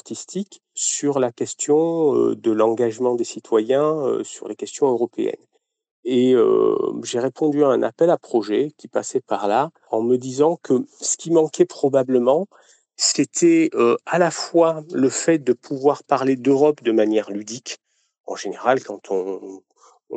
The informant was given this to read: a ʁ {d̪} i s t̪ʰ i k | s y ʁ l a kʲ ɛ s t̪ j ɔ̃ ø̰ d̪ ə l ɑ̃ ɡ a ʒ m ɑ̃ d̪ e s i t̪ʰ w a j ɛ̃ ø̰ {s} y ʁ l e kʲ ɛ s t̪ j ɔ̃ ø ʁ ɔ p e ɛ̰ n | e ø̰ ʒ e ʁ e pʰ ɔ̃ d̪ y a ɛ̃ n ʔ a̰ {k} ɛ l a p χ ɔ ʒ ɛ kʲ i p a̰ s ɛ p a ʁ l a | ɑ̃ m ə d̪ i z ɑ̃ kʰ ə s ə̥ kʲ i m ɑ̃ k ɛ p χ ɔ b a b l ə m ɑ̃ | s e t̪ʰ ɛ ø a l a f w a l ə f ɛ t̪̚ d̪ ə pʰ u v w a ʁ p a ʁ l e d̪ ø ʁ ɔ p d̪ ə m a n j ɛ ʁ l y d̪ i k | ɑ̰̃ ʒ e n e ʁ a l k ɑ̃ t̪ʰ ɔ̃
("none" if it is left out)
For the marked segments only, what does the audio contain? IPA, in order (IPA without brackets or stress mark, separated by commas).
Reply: t̪, s, p